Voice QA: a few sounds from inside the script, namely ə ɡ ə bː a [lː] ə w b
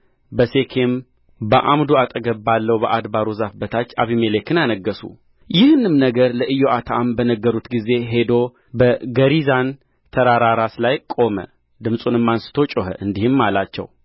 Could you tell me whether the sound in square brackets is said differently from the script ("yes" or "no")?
no